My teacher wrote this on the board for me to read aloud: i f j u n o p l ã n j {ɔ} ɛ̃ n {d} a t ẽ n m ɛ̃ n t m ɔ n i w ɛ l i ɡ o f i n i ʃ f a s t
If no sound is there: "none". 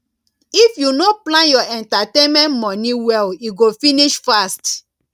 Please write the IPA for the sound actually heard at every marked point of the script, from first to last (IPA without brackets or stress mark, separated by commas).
ɔ, t